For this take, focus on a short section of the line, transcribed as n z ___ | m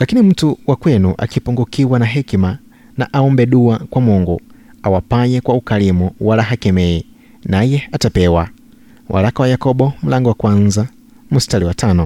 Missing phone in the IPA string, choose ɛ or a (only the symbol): a